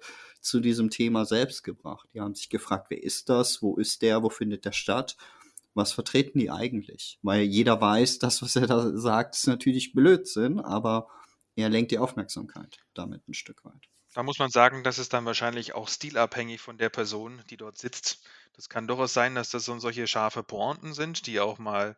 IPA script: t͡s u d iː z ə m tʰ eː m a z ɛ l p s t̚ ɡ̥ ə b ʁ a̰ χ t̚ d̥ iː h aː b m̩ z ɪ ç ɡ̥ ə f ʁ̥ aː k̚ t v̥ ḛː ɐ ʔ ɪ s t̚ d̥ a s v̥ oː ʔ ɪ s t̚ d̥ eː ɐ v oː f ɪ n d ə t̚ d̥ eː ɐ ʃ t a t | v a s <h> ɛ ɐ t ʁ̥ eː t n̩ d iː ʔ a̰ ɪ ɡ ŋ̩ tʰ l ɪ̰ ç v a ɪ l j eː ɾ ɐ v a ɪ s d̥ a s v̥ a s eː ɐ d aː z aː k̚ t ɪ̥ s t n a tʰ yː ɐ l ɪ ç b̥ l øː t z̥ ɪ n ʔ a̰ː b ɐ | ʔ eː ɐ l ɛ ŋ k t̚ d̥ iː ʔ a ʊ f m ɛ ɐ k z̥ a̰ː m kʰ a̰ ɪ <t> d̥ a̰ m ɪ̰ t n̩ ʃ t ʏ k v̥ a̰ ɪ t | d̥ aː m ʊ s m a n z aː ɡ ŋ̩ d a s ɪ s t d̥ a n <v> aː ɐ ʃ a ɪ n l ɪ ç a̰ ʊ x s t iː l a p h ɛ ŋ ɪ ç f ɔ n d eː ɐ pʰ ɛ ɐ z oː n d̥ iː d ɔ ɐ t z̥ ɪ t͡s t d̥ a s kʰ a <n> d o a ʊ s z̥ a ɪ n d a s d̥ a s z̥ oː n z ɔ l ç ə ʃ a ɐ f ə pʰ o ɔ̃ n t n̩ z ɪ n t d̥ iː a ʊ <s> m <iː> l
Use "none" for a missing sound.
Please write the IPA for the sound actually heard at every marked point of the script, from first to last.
f, t, v, n, x, aː

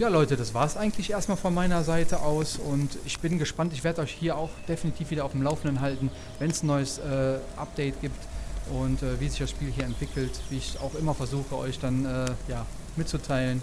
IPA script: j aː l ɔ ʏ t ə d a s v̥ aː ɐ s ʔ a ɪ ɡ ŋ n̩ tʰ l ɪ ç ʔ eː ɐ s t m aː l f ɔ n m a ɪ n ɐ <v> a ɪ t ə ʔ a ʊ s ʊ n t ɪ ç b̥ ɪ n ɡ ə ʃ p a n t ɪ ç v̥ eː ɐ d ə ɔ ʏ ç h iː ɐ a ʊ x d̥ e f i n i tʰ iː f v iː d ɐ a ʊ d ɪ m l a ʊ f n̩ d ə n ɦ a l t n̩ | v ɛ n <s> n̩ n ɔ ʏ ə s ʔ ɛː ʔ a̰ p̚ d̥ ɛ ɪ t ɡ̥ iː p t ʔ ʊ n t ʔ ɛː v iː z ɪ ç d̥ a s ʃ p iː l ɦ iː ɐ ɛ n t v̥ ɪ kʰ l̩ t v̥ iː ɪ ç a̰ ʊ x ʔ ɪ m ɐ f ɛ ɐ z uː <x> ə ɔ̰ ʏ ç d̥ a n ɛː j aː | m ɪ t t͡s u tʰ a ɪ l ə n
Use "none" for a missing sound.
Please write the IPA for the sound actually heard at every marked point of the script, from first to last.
z, s, x

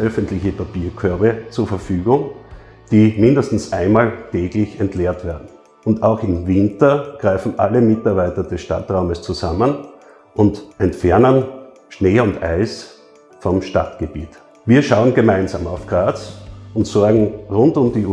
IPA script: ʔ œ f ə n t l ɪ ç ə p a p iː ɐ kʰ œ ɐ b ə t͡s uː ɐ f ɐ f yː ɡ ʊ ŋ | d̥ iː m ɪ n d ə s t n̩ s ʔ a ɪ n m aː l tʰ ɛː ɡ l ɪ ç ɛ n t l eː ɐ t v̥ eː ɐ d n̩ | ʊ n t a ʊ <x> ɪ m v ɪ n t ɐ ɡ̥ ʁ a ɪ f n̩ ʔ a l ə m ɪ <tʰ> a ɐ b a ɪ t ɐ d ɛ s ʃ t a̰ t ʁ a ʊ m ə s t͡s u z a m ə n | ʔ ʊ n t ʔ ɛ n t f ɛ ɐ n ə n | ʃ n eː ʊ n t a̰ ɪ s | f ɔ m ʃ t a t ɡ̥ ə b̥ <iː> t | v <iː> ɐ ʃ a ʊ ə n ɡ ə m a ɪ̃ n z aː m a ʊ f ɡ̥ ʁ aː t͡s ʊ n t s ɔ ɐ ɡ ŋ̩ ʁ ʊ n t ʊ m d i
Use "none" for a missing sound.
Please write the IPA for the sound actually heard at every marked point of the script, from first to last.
x, t, iː, iː

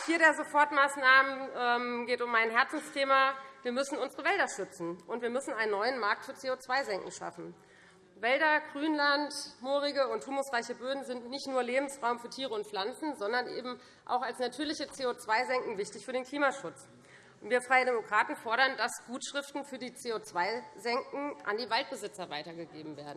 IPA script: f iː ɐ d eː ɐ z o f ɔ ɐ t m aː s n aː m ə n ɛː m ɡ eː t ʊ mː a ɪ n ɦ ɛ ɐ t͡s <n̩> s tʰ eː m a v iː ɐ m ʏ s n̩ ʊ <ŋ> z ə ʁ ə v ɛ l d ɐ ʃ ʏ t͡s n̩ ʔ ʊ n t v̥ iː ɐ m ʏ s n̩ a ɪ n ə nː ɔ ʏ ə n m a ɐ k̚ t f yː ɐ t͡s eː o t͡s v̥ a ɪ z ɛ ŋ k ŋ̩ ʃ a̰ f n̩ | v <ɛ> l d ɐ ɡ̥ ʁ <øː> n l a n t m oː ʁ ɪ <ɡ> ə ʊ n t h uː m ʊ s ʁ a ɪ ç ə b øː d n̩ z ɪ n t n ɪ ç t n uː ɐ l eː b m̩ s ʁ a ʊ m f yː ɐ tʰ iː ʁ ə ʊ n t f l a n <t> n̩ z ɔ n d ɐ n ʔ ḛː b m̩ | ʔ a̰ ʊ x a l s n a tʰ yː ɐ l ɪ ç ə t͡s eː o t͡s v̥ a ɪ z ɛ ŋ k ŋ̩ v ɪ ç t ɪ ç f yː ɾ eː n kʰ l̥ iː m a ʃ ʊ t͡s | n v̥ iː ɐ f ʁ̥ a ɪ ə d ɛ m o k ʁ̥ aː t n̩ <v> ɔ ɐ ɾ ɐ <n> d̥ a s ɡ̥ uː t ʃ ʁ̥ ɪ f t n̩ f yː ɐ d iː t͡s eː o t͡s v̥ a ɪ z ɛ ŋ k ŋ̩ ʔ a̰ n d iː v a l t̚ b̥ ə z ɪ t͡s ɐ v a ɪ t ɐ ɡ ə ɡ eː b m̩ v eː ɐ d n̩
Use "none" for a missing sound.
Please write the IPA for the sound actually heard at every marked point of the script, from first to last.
n̩, n, ɛ, yː, ɡ, t͡s, f, n

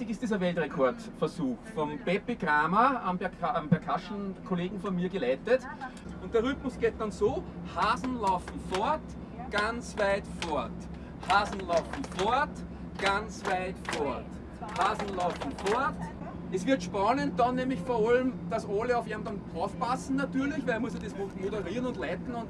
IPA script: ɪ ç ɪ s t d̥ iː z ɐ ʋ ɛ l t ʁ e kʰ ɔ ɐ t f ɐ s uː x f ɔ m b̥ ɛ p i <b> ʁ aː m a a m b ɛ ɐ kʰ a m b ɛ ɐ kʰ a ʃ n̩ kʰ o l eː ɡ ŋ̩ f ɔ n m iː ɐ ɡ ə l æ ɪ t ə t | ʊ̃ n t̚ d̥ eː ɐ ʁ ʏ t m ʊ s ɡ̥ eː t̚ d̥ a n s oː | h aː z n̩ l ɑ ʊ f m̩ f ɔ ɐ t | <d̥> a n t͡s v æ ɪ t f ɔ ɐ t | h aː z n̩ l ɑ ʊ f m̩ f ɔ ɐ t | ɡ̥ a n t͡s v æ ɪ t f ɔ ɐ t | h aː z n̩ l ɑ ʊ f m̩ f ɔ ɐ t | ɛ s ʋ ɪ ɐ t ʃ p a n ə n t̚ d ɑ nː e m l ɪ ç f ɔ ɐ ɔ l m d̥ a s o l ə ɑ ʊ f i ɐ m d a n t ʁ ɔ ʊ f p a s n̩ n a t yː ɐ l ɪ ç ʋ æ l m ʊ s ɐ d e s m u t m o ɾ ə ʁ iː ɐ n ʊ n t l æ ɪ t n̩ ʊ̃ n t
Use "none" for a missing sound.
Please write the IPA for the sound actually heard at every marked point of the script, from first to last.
ɡ, ɡ̥

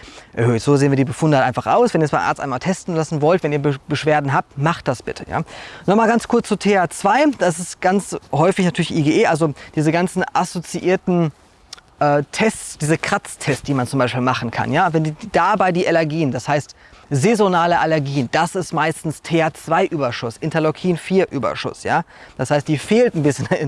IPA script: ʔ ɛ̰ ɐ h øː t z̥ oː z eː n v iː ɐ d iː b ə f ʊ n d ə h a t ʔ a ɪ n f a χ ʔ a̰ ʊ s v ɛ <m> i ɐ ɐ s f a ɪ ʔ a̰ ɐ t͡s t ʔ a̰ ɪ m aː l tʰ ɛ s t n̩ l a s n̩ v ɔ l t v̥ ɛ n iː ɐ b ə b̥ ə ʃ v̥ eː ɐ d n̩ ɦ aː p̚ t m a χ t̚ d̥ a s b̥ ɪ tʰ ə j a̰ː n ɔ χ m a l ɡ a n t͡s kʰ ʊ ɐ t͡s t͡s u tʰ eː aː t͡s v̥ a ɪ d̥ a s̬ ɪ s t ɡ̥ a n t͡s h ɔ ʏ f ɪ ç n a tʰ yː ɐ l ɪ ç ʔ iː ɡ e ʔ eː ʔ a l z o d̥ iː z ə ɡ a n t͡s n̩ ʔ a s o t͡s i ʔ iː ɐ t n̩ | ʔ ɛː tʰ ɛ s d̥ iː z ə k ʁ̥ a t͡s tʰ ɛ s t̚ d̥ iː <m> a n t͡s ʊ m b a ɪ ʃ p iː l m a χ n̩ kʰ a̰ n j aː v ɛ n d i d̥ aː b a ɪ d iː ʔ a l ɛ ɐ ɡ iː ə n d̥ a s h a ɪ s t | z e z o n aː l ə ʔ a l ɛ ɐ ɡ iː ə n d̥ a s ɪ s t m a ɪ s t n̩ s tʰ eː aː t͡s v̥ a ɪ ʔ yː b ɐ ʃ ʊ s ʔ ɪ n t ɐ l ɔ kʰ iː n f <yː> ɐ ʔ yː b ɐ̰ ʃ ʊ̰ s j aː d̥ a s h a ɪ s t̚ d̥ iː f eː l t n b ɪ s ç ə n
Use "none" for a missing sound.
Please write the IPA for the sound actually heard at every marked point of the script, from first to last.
n, m, iː

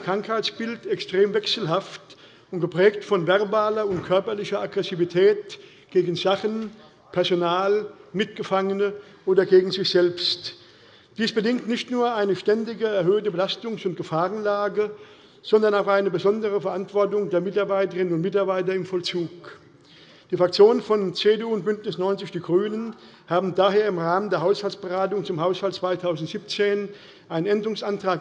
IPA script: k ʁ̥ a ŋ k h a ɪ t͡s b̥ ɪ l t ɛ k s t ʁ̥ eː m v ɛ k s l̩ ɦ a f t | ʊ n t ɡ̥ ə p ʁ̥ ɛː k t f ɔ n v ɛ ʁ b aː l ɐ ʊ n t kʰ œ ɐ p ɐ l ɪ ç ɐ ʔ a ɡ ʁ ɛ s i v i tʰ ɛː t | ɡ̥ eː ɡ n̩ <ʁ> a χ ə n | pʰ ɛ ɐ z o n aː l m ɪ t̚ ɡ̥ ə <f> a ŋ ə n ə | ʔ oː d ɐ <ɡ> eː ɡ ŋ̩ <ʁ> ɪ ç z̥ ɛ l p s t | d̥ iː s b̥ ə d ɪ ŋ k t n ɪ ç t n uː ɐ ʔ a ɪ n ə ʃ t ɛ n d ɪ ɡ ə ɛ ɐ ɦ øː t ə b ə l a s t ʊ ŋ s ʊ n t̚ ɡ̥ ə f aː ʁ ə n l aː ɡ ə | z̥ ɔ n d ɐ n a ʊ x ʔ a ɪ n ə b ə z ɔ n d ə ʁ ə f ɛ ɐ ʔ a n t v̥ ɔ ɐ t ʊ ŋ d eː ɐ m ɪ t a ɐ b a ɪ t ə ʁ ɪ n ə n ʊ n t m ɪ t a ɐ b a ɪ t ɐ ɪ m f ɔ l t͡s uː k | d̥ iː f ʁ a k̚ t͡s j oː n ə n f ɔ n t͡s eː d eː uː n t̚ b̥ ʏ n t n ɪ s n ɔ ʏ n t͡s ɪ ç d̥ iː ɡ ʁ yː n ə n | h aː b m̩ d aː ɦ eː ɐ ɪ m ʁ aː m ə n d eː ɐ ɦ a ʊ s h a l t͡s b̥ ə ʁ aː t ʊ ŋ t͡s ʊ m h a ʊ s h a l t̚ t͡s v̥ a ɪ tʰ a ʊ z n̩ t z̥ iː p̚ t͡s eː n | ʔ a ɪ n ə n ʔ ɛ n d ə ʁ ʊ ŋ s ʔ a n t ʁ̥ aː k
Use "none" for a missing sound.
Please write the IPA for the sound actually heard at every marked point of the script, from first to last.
z, f, ɡ, z

